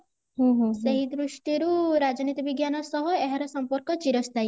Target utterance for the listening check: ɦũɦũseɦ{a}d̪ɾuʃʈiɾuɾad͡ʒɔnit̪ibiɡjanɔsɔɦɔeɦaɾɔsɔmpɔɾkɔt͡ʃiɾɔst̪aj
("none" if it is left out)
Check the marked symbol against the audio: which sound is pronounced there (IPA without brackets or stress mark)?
i